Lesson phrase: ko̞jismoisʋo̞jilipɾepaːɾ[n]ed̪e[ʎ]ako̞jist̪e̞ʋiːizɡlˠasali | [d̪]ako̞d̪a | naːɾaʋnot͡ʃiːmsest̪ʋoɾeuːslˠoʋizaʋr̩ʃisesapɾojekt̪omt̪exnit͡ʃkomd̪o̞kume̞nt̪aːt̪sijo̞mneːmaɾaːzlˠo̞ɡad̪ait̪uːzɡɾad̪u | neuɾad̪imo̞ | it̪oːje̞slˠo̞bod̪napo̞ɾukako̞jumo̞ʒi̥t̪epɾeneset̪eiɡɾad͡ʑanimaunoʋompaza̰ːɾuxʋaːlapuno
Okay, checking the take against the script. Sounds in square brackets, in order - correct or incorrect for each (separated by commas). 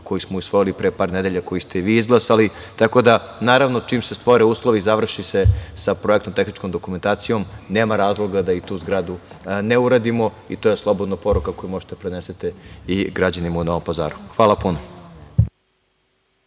correct, correct, incorrect